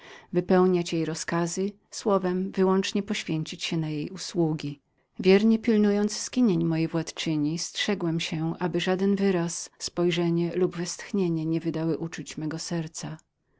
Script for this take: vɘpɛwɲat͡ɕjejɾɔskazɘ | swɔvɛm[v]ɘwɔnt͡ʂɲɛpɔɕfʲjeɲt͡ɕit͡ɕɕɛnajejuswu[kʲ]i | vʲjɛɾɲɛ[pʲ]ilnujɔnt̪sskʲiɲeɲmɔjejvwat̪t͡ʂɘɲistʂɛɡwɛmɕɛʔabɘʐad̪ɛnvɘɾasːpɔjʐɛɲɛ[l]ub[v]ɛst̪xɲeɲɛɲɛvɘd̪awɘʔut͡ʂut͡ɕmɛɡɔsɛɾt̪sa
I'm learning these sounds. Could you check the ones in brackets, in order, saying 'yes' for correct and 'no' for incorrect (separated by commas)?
yes, no, yes, yes, yes